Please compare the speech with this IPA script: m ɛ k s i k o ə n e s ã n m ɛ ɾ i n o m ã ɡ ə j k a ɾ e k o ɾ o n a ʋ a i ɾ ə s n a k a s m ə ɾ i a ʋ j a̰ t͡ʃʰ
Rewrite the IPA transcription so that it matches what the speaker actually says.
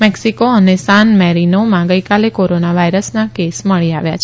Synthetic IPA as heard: m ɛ k s i k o ə n e s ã n m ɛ ɾ i n o m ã ɡ ə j k a l e k o ɾ o n a ʋ a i ɾ ə s n a k e s m ə ɭ i a ʋ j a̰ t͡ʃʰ